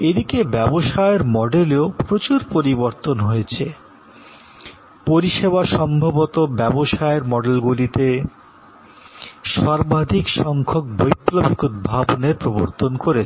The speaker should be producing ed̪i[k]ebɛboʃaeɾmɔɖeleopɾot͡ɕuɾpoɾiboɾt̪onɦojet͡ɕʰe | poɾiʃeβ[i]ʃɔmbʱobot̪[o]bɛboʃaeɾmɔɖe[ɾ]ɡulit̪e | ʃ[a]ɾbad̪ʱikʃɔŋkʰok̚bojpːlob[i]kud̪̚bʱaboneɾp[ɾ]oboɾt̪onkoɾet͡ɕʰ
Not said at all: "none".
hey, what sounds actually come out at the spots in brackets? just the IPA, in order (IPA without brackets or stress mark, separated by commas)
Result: k, a, o, l, a, i, ɾ